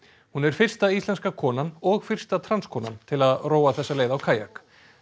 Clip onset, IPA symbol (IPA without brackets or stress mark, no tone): h